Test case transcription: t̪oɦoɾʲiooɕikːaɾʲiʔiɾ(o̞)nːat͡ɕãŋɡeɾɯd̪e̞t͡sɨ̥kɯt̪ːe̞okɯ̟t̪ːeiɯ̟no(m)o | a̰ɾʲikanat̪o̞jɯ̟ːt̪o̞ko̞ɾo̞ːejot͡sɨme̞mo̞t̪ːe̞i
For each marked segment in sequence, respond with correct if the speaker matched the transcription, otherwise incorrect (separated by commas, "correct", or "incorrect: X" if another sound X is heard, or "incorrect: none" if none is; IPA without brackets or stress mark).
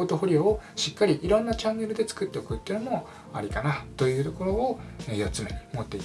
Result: incorrect: õ̞, correct